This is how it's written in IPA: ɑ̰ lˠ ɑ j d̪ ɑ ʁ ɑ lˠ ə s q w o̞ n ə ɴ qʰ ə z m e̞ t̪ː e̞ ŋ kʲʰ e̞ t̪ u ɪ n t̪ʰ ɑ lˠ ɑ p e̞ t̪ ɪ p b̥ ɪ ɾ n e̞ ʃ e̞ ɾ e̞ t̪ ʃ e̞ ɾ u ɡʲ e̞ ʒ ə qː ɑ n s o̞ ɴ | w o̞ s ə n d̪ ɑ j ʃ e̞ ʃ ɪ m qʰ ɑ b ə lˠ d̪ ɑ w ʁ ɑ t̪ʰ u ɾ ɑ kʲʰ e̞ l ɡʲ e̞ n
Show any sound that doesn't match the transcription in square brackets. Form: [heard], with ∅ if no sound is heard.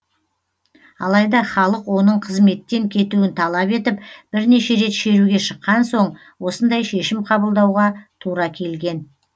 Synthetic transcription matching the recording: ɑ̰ lˠ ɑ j d̪ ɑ [χ] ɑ lˠ ə [∅] q w o̞ n ə ɴ qʰ ə z m e̞ t̪ː e̞ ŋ kʲʰ e̞ t̪ u ɪ n t̪ʰ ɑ lˠ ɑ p e̞ t̪ ɪ p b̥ ɪ ɾ n e̞ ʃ e̞ ɾ e̞ t̪ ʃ e̞ ɾ u ɡʲ e̞ [ʃ] ə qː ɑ n s o̞ ɴ | w o̞ s ə n d̪ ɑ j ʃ e̞ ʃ ɪ m qʰ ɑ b ə lˠ d̪ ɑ w ʁ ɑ t̪ʰ u ɾ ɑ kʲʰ e̞ l ɡʲ e̞ n